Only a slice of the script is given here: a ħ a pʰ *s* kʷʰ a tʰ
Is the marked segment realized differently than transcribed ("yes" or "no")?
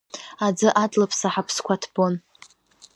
no